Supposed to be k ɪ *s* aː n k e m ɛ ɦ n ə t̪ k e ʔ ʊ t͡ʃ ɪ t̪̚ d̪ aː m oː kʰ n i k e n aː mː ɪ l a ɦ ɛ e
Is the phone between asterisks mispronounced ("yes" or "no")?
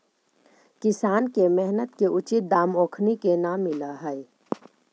no